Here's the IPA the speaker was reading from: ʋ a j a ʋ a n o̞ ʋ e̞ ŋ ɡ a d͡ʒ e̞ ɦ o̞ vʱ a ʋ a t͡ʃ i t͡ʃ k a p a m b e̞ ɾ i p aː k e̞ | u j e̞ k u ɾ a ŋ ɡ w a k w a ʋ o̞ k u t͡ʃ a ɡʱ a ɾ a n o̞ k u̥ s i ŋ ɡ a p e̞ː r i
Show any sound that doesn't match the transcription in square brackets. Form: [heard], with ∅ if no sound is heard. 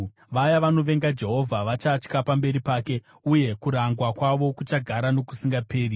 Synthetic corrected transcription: ʋ a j a ʋ a n o̞ ʋ e̞ ŋ ɡ a d͡ʒ e̞ ɦ o̞ vʱ a ʋ a t͡ʃ [a] t͡ʃ k a p a m b e̞ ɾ i p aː k e̞ | u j e̞ k u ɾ a ŋ ɡ w a k w a ʋ o̞ k u t͡ʃ a ɡʱ a ɾ a n o̞ k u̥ s i ŋ ɡ a p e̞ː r i